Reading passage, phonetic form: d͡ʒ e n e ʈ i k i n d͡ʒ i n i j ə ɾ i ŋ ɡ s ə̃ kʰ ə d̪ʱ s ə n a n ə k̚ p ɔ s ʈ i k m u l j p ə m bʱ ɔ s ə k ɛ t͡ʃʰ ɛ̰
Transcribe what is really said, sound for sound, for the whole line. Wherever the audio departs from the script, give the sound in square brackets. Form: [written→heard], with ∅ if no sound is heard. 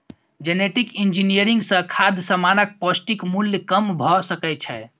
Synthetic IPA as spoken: d͡ʒ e n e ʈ i k i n d͡ʒ i n i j ə ɾ i ŋ ɡ s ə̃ kʰ [ə→a] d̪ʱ s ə [n→m] a n ə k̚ p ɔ s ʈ i k m u l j [p→k] ə m bʱ ɔ s ə k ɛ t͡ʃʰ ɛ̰